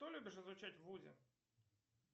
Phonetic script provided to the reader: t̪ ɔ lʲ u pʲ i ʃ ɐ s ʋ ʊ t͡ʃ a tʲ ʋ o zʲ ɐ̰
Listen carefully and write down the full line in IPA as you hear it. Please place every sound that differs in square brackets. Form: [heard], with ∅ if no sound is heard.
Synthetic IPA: t̪ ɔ lʲ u [bʲ] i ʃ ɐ [z] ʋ ʊ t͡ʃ a tʲ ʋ [u] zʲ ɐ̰